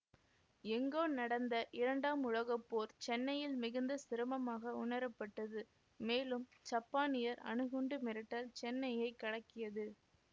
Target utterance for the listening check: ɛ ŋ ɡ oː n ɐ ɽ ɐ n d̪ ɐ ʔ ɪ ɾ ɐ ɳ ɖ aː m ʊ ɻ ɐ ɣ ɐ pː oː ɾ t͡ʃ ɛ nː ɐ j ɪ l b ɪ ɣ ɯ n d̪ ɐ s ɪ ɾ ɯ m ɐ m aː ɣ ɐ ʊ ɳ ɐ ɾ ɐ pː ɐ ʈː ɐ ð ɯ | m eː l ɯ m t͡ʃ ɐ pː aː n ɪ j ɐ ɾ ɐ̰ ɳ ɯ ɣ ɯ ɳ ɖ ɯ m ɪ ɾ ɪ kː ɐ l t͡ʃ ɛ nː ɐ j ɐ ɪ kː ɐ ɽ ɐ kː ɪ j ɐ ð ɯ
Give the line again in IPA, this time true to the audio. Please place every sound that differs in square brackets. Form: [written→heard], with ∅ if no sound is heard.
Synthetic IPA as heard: ɛ ŋ ɡ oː n ɐ ɽ ɐ n d̪ ɐ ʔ ɪ ɾ ɐ ɳ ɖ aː m ʊ ɻ ɐ ɣ ɐ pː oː ɾ t͡ʃ ɛ nː ɐ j ɪ l [b→m] ɪ ɣ ɯ n d̪ ɐ s ɪ ɾ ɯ m ɐ m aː ɣ ɐ ʊ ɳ ɐ ɾ ɐ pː ɐ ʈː ɐ ð ɯ | m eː l ɯ m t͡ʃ ɐ pː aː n ɪ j ɐ ɾ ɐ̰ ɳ ɯ ɣ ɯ ɳ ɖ ɯ m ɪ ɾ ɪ [kː→ʈː] ɐ l t͡ʃ ɛ nː ɐ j ɐ ɪ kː ɐ ɽ ɐ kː ɪ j ɐ ð ɯ